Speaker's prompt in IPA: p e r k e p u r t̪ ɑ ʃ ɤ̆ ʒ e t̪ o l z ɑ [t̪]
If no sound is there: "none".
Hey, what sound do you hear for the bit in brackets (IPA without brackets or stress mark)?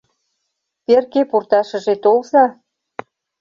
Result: none